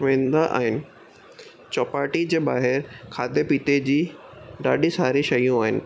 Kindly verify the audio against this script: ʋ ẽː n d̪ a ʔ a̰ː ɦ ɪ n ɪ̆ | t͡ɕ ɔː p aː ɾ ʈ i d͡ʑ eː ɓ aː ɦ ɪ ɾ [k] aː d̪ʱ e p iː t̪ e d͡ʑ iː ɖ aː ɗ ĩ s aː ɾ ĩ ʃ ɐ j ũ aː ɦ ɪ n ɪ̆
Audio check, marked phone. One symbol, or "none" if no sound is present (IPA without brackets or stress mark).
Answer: kʰ